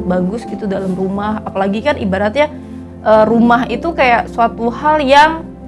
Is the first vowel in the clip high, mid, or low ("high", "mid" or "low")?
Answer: low